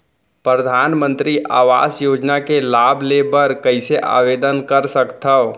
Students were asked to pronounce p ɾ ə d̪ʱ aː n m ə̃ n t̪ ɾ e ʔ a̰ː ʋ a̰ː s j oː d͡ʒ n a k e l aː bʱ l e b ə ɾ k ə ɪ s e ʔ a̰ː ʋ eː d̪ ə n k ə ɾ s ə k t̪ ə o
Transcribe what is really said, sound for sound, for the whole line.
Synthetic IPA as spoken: p ɾ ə d̪ʱ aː n m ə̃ n t̪ ɾ i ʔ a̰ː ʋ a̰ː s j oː d͡ʒ n a k e l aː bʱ l e b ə ɾ k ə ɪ s e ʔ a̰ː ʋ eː d̪ ə n k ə ɾ s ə k t̪ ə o